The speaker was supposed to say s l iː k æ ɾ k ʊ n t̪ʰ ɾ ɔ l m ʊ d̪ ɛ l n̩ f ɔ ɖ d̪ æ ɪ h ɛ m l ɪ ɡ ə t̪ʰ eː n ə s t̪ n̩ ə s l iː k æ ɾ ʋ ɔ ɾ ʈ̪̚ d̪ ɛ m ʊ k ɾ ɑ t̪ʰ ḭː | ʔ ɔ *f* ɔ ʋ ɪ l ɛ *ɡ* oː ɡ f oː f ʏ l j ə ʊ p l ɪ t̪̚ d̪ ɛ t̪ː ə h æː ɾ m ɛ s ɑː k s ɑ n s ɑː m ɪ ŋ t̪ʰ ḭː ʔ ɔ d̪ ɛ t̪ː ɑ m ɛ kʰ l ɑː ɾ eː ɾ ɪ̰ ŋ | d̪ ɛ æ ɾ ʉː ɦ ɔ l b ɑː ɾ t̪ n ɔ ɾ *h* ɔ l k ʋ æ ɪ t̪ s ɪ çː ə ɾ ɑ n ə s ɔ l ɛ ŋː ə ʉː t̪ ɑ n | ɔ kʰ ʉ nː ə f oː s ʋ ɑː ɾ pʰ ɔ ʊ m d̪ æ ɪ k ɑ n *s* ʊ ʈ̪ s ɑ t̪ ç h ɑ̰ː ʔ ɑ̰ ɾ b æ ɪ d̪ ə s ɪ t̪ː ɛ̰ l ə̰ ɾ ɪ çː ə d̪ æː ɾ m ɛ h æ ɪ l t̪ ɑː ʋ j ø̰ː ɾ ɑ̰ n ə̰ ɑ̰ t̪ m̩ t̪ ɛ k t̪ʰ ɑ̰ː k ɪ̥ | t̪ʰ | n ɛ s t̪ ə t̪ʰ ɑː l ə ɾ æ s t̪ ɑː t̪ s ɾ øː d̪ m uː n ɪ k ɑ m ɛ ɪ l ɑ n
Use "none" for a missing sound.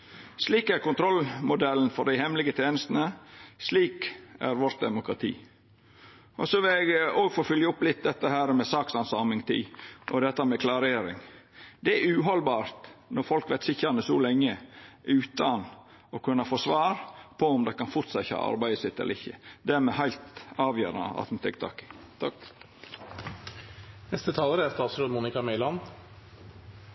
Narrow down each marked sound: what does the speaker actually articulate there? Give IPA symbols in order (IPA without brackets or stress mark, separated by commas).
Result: s, ɡ, f, f